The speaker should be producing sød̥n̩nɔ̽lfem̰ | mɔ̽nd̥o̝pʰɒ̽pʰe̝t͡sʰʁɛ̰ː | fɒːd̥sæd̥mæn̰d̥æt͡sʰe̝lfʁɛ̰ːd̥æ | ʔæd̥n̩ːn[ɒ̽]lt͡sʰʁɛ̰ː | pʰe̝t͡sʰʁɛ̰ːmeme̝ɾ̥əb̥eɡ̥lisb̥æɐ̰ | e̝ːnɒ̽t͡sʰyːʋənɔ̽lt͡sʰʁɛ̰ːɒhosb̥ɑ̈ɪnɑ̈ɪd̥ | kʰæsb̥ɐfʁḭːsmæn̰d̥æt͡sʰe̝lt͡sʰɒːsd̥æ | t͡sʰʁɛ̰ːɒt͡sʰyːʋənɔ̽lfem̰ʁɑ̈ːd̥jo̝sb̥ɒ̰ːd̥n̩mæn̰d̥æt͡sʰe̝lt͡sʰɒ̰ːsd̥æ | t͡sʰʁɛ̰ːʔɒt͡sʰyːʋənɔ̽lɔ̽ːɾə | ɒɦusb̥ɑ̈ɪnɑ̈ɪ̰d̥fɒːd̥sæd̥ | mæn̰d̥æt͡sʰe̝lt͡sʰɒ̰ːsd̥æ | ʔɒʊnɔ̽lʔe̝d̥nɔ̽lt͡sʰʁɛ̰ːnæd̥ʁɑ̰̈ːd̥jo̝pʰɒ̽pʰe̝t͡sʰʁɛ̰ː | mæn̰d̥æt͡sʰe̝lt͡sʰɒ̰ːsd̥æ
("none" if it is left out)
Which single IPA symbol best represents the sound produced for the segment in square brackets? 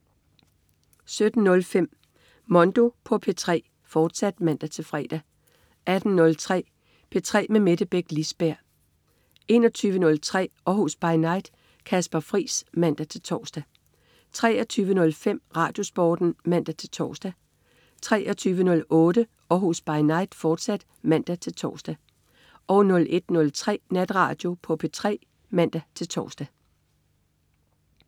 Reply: ɔ̽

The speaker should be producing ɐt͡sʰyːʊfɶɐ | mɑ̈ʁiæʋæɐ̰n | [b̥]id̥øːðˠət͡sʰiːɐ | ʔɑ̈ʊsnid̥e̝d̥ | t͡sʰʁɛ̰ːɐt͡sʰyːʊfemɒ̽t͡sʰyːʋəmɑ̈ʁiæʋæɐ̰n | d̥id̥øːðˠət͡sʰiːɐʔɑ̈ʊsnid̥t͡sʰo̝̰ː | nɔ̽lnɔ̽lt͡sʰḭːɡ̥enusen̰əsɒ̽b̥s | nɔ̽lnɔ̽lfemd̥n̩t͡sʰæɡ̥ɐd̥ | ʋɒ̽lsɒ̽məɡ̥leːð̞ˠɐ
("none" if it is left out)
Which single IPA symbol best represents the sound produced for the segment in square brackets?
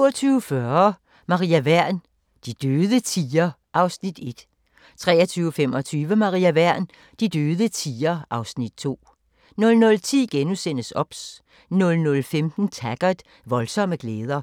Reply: d̥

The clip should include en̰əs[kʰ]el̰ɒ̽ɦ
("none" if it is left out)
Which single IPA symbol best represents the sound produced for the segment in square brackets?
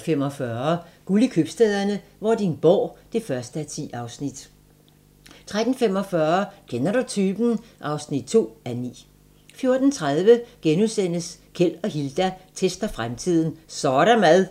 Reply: kʰ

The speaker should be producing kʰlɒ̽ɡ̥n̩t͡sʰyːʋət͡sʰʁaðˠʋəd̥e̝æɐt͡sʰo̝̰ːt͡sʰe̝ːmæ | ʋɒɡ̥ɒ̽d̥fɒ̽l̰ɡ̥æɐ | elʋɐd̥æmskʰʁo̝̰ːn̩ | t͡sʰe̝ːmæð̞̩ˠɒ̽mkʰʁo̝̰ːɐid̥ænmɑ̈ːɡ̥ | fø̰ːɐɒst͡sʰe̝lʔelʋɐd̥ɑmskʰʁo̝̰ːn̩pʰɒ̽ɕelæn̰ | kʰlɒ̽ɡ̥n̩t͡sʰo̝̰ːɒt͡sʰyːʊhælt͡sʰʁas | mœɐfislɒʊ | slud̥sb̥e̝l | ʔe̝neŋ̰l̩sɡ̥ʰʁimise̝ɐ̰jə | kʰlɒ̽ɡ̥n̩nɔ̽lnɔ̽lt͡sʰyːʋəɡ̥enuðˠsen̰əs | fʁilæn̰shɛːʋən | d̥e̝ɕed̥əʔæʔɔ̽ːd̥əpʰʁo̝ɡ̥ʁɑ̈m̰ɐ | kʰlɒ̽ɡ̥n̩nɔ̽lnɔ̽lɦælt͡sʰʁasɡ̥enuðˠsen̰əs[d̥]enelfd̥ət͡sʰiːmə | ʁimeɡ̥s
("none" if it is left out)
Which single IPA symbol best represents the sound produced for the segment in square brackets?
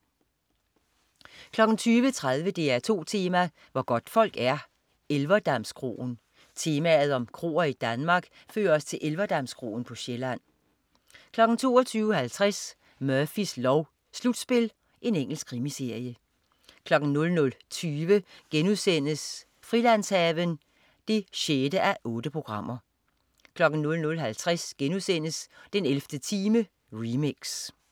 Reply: d̥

